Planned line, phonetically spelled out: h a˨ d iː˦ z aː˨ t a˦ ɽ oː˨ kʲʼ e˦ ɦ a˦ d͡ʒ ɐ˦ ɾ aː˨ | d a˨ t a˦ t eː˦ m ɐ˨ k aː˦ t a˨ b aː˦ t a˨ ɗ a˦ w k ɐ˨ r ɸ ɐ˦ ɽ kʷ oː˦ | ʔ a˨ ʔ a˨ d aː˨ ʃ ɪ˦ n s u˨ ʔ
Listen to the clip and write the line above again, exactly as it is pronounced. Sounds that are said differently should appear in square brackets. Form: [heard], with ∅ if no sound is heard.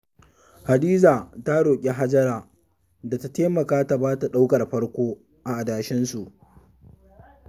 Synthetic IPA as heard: h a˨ d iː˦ z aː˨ t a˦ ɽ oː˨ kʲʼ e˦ ɦ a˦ d͡ʒ ɐ˦ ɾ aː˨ | d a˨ t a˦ t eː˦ m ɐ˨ k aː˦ t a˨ b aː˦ t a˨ ɗ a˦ w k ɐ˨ r ɸ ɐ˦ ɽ kʷ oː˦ | ʔ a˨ ʔ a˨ d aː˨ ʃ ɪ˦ n s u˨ ʔ